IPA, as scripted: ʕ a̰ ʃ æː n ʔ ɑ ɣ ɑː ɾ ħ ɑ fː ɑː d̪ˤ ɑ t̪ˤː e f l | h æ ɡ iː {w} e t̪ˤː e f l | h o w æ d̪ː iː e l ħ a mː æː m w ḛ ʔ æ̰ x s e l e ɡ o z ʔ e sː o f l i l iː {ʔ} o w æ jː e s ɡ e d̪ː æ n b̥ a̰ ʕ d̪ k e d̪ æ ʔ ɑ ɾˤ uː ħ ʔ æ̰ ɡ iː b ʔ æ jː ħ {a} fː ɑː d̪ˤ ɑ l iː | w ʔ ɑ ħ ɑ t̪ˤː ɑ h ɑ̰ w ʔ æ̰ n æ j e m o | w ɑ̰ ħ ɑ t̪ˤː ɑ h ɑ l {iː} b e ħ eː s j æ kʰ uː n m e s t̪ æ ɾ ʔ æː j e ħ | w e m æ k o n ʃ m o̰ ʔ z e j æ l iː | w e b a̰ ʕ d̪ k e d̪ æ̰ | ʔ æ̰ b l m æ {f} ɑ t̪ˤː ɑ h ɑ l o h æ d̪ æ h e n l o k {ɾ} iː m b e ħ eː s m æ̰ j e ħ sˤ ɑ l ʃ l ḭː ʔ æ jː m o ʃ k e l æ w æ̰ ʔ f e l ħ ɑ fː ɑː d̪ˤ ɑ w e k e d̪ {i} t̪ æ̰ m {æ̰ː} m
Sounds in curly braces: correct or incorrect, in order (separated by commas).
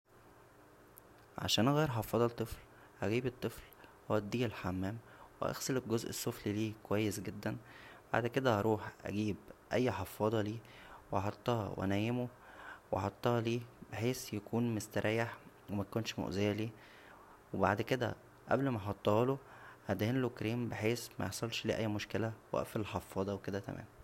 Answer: incorrect, incorrect, incorrect, correct, incorrect, correct, incorrect, correct